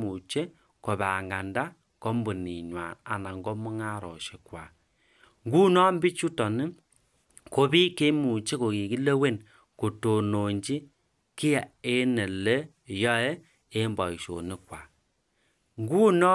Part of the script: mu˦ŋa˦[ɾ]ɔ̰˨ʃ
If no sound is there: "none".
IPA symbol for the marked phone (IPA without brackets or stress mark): ɾ